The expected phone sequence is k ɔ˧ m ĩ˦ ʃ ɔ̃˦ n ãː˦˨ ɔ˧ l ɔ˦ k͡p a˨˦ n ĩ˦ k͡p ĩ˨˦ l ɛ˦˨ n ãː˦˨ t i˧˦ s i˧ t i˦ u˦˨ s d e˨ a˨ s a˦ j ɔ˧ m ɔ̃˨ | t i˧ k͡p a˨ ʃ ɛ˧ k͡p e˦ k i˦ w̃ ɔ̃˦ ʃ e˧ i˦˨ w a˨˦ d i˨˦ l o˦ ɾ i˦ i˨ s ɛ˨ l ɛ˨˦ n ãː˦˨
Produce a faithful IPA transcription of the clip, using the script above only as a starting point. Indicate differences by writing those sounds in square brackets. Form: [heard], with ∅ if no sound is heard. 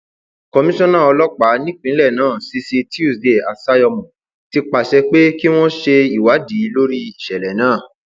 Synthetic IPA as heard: k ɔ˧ m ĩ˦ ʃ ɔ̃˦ n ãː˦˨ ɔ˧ l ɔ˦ k͡p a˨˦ n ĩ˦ k͡p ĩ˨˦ l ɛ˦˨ n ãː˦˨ [s] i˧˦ s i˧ t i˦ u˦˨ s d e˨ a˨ s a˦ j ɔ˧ m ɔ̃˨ | t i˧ k͡p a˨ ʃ ɛ˧ k͡p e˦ k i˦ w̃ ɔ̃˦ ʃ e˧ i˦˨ w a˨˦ d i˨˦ l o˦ ɾ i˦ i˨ [ʃ] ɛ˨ l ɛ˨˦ n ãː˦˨